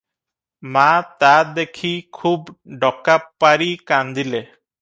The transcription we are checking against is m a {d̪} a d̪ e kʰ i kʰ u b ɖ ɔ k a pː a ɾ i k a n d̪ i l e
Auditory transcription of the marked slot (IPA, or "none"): t̪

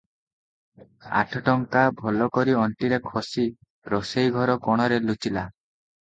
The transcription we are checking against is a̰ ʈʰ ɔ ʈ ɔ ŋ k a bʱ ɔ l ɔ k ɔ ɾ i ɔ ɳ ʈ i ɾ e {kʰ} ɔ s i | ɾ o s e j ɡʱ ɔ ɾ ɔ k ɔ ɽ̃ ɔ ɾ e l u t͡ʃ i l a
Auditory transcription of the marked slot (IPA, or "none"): kʰ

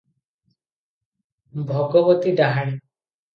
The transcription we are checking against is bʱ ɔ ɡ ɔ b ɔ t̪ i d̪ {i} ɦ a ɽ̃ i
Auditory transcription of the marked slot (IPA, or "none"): a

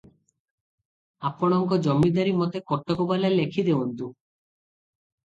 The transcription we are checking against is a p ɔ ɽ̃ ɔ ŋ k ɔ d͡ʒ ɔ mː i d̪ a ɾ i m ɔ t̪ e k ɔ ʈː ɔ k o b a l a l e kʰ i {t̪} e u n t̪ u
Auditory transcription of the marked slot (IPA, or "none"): d̪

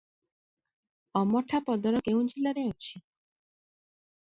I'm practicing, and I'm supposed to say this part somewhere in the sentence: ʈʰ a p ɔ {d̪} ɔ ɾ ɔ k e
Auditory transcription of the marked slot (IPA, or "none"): d̪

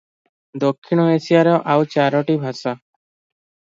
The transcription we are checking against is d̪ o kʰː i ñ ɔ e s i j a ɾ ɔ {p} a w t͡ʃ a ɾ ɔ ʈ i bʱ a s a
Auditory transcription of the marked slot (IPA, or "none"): ʔ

